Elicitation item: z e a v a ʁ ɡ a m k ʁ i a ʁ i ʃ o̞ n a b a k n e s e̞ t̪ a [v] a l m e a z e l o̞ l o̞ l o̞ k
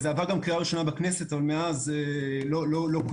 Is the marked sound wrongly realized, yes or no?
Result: no